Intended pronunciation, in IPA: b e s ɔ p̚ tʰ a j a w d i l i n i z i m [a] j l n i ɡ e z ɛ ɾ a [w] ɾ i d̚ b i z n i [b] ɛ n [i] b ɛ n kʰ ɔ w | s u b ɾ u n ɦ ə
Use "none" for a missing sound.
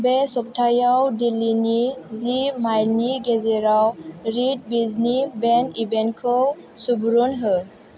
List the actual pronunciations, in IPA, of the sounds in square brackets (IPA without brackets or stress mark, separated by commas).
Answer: a, w, b, i